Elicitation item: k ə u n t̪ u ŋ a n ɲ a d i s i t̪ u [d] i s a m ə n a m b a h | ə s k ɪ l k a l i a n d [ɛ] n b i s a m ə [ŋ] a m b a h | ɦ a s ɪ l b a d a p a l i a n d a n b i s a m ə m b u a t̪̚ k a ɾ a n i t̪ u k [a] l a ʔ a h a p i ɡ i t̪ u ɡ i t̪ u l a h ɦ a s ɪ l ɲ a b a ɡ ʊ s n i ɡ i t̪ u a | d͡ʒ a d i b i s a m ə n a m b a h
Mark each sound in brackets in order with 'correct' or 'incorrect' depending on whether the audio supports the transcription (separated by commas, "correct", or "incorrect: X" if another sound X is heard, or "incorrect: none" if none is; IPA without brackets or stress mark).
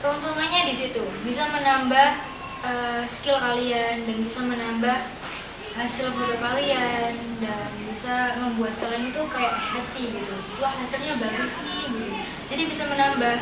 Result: incorrect: b, incorrect: a, incorrect: n, correct